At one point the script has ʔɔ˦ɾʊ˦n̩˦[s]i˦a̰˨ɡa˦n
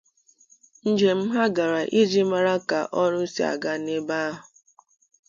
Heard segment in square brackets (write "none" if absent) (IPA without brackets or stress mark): s